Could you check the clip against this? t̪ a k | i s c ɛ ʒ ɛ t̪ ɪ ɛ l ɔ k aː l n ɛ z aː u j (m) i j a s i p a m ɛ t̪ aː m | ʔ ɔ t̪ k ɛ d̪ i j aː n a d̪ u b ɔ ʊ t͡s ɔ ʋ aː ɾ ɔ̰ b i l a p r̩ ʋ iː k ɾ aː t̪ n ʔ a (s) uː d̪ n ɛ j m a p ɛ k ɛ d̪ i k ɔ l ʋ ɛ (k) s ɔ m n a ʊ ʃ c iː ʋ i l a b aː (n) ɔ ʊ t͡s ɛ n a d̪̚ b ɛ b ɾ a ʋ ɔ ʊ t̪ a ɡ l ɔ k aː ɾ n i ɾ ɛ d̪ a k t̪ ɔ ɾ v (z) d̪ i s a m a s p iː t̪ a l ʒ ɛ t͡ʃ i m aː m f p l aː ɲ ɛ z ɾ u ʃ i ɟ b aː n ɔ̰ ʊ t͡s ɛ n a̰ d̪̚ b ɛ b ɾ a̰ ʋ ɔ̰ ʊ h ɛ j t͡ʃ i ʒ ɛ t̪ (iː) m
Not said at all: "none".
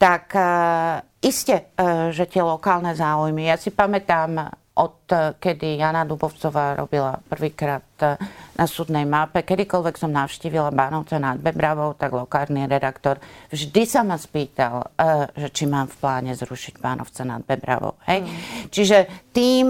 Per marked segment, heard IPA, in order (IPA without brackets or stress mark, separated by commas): m, s, k, n, ʒ, iː